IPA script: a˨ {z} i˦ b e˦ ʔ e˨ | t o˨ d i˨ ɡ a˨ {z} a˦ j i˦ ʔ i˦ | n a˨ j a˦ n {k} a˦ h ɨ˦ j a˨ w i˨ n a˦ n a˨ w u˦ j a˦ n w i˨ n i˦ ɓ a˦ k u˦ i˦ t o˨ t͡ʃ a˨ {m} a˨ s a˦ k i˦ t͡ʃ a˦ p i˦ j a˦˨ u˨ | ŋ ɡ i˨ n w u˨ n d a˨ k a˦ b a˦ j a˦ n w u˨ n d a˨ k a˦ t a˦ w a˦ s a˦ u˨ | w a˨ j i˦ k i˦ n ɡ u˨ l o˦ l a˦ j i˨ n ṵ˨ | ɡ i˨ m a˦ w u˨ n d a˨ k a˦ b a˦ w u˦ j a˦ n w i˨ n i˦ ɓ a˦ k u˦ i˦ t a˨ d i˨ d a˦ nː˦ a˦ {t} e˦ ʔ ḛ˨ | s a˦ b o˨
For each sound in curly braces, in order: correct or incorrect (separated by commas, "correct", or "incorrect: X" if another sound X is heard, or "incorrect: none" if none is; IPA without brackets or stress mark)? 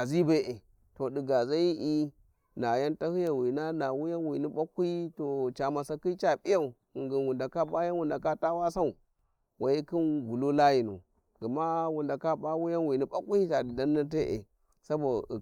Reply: correct, correct, incorrect: t, correct, correct